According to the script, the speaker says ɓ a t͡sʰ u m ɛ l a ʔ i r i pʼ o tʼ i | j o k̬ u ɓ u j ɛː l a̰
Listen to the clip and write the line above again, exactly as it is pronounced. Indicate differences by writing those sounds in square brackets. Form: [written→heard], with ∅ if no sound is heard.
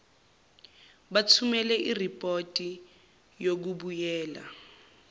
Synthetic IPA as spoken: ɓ a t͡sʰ u m ɛ l [a→ɛ] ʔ i r i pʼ o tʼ i | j o k̬ u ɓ u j ɛː l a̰